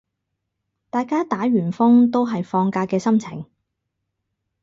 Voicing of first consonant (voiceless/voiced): voiceless